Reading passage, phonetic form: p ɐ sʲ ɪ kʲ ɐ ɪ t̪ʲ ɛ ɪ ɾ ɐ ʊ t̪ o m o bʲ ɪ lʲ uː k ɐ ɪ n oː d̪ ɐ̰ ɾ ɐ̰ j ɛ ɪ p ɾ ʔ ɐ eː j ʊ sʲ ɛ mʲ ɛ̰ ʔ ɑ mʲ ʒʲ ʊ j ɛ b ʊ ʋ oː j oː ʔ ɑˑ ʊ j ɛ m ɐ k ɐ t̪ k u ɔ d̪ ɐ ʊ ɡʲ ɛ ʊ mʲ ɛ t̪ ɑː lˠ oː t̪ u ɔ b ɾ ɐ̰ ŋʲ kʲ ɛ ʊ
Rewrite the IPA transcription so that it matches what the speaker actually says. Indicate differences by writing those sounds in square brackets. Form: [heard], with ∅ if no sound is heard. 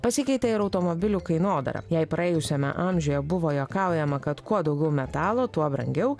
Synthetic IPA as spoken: p ɐ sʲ ɪ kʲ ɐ ɪ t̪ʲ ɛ ɪ ɾ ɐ ʊ t̪ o m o bʲ ɪ lʲ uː k ɐ ɪ n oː d̪ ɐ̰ ɾ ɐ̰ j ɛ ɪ p ɾ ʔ ɐ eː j ʊ sʲ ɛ mʲ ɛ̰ ʔ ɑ mʲ ʒʲ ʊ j ɛ b ʊ ʋ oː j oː [k] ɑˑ ʊ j ɛ m ɐ k ɐ t̪ k u ɔ d̪ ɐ ʊ ɡʲ ɛ ʊ mʲ ɛ t̪ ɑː lˠ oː t̪ u ɔ b ɾ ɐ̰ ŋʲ [ɡʲ] ɛ ʊ